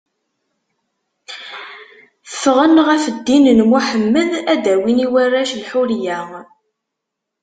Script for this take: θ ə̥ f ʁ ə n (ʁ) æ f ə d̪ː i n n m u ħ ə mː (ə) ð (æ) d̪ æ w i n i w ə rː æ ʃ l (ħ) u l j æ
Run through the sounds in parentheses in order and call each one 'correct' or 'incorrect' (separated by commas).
correct, correct, correct, correct